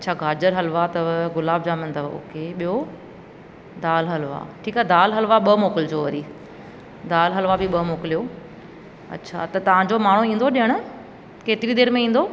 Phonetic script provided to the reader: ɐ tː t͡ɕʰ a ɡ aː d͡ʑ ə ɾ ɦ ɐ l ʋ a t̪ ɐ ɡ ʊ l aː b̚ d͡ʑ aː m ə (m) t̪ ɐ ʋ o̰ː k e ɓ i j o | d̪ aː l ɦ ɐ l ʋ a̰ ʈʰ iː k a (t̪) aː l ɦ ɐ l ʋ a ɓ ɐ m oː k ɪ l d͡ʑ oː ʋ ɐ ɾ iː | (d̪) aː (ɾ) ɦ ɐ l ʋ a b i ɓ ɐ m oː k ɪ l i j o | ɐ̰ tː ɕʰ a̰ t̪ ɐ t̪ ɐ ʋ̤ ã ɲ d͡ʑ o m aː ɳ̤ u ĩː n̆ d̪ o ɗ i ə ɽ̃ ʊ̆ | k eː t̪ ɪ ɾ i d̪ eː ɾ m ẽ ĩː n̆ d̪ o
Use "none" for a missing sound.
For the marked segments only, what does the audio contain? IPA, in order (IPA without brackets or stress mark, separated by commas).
n, d̪, d̪, l